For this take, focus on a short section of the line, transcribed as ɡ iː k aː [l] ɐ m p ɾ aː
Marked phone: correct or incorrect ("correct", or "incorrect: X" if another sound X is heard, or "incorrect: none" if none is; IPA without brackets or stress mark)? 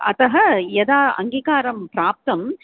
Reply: incorrect: ɾ